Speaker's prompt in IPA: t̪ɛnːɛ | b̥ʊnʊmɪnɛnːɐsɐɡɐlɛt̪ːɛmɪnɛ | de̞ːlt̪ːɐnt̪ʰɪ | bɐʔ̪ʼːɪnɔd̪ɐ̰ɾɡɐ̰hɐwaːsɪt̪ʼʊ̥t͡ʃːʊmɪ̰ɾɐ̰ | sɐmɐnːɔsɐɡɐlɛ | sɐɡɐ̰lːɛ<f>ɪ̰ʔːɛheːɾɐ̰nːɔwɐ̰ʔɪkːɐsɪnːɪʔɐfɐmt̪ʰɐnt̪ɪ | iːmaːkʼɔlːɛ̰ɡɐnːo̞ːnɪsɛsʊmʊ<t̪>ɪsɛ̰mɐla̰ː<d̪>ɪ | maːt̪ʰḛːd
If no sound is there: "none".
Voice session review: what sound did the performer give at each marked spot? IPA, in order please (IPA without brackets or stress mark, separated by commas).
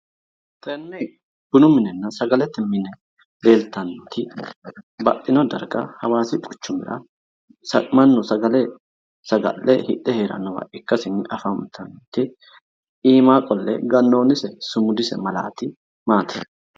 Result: h, d̪, t̪